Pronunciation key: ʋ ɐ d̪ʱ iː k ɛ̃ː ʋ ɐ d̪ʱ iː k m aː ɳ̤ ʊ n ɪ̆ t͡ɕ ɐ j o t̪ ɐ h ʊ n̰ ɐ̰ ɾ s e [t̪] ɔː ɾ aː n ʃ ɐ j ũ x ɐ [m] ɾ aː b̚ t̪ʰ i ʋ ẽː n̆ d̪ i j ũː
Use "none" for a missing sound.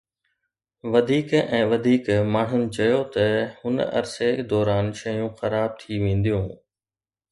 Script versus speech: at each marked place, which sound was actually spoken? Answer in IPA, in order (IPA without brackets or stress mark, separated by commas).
d̪, none